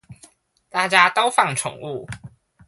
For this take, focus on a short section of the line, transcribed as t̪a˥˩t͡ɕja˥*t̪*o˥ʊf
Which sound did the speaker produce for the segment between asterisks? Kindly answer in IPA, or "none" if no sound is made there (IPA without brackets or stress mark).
t̪